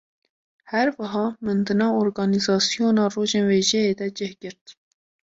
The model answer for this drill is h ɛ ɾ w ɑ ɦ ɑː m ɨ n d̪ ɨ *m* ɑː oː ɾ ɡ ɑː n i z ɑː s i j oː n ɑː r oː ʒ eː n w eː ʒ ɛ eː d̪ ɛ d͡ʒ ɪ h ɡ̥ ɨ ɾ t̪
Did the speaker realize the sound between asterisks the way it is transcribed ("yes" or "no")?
no